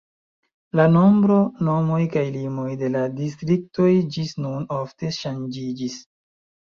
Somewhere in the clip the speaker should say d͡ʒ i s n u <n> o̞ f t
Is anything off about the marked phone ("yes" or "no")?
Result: no